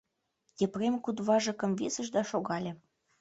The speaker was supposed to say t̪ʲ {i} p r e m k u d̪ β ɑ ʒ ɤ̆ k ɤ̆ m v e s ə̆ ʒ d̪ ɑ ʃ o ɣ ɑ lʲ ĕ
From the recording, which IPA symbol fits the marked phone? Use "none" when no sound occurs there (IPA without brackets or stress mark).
e